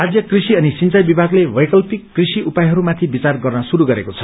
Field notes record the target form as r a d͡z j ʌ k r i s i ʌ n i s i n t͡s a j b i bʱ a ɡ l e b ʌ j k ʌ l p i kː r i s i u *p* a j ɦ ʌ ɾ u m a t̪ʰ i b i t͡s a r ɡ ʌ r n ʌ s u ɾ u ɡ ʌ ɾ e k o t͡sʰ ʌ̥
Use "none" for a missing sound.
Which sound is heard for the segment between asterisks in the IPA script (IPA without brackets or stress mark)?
p